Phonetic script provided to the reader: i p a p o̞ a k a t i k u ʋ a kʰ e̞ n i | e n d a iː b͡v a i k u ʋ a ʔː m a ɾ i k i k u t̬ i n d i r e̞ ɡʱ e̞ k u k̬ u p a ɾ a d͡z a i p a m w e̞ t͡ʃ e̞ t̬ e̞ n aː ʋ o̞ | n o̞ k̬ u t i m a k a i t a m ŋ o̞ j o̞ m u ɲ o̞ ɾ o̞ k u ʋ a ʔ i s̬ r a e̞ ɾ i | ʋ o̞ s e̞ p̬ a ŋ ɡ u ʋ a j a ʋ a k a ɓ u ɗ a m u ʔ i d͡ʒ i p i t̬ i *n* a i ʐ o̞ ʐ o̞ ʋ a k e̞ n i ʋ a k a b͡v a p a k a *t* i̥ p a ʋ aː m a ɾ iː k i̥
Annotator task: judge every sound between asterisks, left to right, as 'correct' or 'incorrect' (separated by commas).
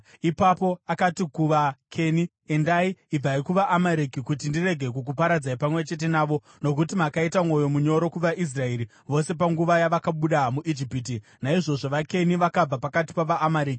correct, correct